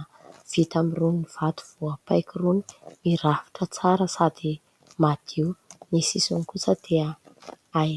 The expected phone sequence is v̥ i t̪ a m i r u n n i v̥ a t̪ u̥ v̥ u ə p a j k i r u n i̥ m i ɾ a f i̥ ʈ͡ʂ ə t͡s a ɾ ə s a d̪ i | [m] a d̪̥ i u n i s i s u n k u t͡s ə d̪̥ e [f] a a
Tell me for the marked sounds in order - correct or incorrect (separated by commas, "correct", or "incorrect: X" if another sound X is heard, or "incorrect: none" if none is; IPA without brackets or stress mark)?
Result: correct, incorrect: none